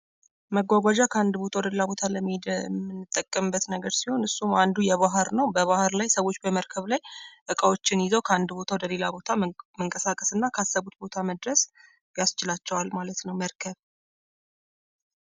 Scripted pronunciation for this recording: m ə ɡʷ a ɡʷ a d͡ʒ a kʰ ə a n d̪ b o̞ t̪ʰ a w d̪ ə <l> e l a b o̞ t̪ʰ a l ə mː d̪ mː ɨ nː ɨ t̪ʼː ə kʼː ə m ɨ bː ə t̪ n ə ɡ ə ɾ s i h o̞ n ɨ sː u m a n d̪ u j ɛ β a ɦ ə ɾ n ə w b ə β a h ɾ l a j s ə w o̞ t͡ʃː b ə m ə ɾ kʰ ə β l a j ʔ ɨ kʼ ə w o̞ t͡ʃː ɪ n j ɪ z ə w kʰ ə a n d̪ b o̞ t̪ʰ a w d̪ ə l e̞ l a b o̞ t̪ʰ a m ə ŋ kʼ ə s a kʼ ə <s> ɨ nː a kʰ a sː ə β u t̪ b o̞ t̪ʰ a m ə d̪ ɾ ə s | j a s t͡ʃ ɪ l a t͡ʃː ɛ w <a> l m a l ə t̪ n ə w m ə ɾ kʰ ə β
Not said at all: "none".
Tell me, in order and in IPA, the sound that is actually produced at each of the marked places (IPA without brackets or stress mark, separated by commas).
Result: l, s, a